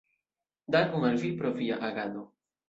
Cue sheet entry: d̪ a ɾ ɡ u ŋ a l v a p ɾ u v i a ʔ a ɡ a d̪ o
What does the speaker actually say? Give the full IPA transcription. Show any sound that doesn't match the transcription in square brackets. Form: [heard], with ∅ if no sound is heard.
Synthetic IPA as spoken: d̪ a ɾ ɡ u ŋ a l v [i] p ɾ [o] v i a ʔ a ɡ a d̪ o